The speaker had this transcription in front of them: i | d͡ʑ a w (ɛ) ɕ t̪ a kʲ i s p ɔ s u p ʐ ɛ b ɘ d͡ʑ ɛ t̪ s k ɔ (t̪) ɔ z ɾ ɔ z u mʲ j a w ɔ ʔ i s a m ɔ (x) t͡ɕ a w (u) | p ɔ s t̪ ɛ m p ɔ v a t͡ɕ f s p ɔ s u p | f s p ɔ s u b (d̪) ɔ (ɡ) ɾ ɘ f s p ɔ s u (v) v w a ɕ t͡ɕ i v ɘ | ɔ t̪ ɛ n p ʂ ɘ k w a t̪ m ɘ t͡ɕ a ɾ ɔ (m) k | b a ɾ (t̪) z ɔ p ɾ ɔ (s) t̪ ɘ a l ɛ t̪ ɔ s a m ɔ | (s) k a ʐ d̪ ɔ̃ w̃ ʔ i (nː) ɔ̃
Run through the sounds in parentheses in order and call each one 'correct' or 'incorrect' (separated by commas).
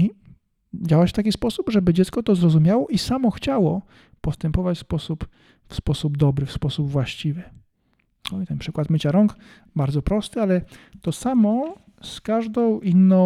incorrect, correct, correct, incorrect, correct, incorrect, incorrect, incorrect, incorrect, correct, correct, correct